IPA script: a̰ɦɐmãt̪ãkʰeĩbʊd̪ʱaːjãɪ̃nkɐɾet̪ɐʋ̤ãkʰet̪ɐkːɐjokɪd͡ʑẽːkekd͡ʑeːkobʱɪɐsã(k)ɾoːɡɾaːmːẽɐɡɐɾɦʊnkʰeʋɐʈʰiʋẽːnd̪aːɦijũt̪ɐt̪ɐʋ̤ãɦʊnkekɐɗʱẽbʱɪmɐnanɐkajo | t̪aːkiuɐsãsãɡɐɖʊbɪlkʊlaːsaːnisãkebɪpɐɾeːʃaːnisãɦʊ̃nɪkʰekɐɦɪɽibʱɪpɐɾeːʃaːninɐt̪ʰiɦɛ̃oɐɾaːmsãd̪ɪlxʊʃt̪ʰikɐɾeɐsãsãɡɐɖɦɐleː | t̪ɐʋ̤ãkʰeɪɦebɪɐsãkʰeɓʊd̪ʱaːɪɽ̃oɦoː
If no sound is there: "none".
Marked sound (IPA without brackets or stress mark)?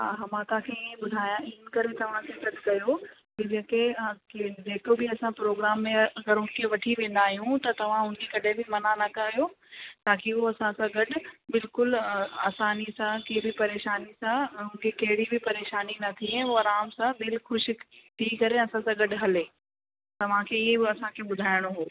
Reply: p